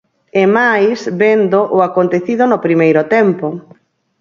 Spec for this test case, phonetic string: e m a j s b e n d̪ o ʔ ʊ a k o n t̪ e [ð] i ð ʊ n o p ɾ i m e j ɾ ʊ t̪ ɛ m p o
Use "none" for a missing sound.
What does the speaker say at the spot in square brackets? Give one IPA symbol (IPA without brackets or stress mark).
θ